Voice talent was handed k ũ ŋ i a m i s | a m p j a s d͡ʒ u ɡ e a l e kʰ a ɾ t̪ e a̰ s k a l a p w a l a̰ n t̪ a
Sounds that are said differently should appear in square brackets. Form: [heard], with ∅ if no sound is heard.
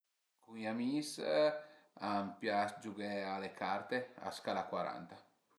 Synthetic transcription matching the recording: k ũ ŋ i a m i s | a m p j a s d͡ʒ u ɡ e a l e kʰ a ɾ t̪ e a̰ s k a l a [k] w a [ɾ] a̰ n t̪ a